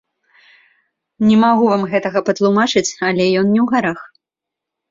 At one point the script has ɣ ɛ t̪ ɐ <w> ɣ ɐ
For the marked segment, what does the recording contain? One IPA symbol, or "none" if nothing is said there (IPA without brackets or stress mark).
none